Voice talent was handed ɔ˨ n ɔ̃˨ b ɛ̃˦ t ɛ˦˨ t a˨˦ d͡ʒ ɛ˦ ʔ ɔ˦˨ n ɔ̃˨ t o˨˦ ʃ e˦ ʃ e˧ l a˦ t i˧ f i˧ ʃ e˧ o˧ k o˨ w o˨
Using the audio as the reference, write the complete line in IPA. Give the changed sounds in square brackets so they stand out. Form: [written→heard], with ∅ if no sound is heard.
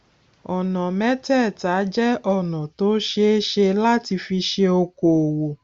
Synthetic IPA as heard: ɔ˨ n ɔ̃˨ [b→m] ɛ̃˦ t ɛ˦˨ t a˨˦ d͡ʒ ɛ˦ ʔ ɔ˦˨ n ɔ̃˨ t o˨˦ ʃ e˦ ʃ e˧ l a˦ t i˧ f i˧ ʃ e˧ o˧ k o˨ w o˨